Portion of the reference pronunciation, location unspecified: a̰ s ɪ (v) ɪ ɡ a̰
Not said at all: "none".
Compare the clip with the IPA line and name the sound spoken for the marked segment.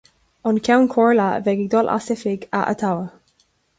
f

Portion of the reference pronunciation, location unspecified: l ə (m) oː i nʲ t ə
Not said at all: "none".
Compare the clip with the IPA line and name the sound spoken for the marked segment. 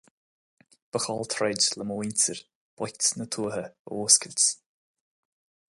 m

